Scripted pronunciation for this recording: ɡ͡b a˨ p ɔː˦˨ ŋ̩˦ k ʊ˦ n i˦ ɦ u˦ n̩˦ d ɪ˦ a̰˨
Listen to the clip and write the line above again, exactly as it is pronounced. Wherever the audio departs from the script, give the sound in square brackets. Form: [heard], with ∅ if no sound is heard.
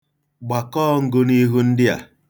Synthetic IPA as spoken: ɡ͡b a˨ [k] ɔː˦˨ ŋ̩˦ [ɡ] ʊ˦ n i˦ ɦ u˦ n̩˦ d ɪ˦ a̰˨